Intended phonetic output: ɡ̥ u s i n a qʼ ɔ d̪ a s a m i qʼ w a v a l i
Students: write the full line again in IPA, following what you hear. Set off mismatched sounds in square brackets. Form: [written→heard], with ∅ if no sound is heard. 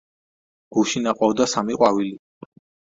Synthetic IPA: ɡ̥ u [s→ʃ] i n a qʼ ɔ d̪ a s a m i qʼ w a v [a→i] l i